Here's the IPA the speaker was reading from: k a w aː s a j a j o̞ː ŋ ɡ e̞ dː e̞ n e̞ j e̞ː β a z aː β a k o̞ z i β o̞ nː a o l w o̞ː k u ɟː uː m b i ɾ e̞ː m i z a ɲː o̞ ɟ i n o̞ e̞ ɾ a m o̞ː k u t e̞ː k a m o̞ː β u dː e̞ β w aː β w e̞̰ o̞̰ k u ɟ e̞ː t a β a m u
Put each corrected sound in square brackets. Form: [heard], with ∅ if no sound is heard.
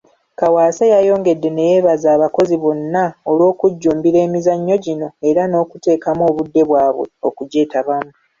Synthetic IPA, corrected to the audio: k a w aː s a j a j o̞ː ŋ ɡ e̞ dː e̞ n e̞ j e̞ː β a z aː β a k o̞ z i β o̞ nː a o l w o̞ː k u ɟː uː m b i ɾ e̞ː m i z a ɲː o̞ ɟ i n o̞ e̞ ɾ a [n] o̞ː k u t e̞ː k a m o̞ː β u dː e̞ β w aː β w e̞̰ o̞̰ k u ɟ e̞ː t a β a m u